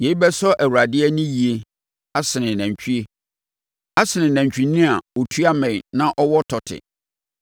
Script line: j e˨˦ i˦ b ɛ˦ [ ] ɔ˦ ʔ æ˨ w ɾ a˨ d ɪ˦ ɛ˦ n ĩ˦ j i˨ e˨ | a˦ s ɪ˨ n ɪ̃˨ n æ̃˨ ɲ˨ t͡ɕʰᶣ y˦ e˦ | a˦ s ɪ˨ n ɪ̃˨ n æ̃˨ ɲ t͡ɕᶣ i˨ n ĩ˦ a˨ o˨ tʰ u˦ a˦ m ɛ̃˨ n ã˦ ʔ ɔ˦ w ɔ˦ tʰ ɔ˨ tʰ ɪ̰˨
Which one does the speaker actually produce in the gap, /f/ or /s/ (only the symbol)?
s